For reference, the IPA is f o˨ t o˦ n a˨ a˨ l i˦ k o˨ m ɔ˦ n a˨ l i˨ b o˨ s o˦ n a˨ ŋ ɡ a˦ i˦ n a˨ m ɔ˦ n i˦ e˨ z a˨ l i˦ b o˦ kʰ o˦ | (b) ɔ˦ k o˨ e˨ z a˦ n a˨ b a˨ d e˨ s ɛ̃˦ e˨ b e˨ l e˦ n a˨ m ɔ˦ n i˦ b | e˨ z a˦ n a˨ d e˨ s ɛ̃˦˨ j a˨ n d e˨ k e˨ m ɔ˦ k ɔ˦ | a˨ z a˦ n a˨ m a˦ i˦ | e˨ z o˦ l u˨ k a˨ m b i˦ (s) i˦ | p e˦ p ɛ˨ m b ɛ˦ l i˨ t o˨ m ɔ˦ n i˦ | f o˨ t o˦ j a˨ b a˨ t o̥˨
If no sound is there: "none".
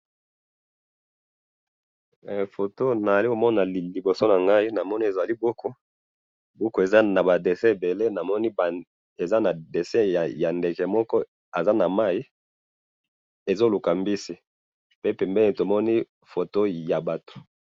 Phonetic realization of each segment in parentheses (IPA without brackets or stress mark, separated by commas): b, s